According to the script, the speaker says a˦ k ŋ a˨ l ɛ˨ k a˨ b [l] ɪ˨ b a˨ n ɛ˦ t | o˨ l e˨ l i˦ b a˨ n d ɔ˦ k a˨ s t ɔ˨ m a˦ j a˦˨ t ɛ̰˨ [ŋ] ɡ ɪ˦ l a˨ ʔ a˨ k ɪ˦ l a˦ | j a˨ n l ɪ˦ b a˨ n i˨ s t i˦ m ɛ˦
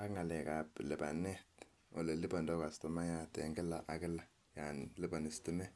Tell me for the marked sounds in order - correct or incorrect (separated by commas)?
correct, correct